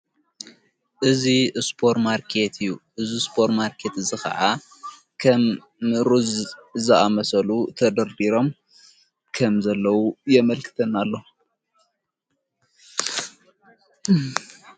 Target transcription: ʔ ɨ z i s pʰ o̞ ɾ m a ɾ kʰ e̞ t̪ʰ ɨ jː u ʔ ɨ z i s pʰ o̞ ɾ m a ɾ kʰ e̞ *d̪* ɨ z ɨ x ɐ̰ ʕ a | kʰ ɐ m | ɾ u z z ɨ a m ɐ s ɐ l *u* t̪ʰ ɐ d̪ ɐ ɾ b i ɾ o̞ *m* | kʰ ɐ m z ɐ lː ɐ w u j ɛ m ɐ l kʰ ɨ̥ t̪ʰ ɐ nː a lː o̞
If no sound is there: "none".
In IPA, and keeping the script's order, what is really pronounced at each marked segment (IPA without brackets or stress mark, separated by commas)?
t̪, u, m